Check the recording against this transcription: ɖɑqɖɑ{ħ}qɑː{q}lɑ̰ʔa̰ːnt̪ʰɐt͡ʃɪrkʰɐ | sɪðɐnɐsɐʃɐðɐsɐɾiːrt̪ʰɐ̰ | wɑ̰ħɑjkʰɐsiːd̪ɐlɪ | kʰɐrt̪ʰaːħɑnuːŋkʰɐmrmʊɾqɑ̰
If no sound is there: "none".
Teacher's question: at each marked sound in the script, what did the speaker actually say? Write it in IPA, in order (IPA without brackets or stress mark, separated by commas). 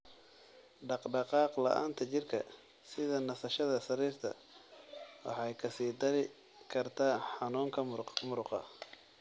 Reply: none, q